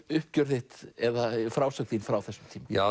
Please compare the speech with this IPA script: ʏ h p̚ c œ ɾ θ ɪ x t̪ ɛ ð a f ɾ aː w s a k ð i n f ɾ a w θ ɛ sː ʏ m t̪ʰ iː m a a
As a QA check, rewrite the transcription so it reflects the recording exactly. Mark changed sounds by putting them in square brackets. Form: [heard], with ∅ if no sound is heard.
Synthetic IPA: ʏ h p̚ c œ ɾ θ ɪ [h] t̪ ɛ ð a f ɾ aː w s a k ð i n f ɾ a w θ ɛ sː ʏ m t̪ʰ iː m a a